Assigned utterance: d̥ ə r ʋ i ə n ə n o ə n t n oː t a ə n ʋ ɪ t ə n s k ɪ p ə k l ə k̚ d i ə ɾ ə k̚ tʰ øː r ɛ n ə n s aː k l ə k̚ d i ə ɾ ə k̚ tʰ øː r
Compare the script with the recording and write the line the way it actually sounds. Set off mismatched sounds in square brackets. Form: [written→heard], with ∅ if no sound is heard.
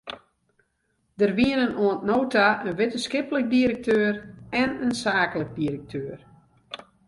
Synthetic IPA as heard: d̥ ə r ʋ i ə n ə n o ə n t n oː t a ə n ʋ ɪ t ə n s k ɪ p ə [k→∅] l ə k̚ d i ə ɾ ə k̚ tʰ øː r ɛ n ə n s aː k l ə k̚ d i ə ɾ ə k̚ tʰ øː r